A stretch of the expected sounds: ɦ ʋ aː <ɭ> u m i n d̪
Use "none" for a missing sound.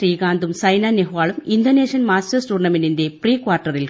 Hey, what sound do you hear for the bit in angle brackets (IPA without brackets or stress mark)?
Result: ɭ